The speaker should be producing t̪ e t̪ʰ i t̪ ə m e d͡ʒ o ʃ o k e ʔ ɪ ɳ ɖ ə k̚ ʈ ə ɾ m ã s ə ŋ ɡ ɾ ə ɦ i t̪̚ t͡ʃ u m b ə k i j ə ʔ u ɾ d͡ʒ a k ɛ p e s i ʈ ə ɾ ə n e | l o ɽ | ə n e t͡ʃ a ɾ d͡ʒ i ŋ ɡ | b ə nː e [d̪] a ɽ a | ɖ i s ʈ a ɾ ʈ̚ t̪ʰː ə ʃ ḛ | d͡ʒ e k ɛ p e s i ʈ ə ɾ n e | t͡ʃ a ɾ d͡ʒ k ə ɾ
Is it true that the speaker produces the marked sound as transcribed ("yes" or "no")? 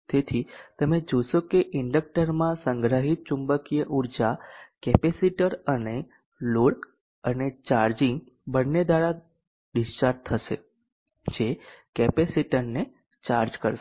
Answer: yes